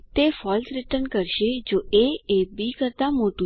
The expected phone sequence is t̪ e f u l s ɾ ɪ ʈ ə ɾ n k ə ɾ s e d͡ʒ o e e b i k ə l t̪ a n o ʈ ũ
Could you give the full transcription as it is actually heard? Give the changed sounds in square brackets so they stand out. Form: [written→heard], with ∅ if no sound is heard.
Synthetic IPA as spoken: t̪ e f [u→ɔ] l s ɾ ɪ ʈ ə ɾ n k ə ɾ [s→ʃ] e d͡ʒ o e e b i k ə [l→ɾ] t̪ a [n→m] o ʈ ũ